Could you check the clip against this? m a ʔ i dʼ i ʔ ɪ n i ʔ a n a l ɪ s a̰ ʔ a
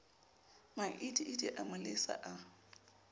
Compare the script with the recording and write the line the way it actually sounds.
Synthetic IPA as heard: m a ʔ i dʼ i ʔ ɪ d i ʔ a m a l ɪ s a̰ ʔ a